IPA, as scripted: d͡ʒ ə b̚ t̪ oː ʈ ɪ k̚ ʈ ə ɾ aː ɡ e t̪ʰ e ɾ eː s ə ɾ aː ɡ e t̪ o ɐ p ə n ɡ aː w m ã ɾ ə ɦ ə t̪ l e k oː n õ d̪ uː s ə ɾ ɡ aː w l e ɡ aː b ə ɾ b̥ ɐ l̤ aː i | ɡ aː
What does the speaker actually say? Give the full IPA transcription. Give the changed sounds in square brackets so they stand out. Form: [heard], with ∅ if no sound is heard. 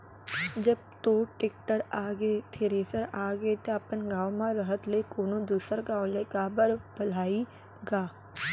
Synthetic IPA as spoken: d͡ʒ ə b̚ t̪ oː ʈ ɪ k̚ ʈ ə ɾ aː ɡ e t̪ʰ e ɾ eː s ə ɾ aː ɡ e t̪ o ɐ p ə n ɡ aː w m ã ɾ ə ɦ ə t̪ l e k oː n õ d̪ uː s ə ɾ ɡ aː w l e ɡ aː b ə ɾ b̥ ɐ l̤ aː i | ɡ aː